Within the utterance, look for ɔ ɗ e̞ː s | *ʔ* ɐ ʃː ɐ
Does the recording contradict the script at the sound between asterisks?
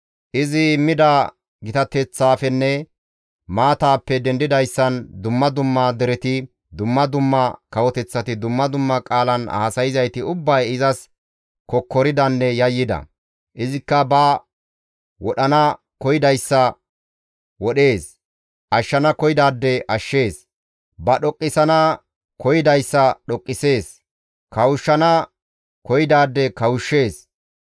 no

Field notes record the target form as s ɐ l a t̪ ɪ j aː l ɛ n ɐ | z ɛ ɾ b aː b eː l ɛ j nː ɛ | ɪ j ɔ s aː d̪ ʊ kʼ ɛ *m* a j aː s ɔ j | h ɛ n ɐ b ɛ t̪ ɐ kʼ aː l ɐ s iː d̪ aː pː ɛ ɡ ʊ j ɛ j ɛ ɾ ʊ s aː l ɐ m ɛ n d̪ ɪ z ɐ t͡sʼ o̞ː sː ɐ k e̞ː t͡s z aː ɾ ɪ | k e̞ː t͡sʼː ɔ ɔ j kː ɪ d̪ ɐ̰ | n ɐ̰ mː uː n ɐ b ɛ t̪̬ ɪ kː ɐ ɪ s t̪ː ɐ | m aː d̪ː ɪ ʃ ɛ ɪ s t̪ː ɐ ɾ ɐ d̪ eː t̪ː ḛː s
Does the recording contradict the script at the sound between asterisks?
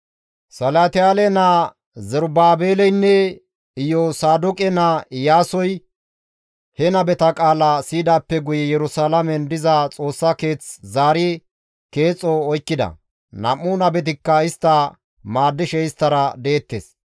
yes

